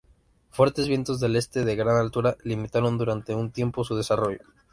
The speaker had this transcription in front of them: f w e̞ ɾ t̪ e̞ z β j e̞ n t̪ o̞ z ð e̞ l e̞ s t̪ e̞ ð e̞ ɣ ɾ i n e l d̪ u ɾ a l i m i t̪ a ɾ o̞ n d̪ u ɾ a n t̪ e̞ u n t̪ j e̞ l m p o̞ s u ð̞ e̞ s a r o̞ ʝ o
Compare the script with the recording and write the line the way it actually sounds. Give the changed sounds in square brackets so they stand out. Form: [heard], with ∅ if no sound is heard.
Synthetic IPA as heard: f w e̞ ɾ t̪ e̞ z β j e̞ n t̪ o̞ z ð e̞ l e̞ s t̪ e̞ ð e̞ ɣ ɾ [a] n [a] l [t̪] u ɾ a l i m i t̪ a ɾ o̞ n d̪ u ɾ a n t̪ e̞ u n t̪ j e̞ [∅] m p o̞ s u ð̞ e̞ s a r o̞ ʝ o